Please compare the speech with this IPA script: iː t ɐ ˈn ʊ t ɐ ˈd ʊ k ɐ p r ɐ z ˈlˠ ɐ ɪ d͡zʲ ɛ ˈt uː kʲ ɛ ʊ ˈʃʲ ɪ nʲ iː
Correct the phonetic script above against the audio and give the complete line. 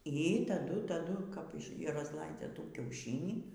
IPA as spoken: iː t ɐ ˈd ʊ t ɐ ˈd ʊ k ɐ p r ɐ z ˈlˠ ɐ ɪ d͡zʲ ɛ ˈt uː kʲ ɛ ʊ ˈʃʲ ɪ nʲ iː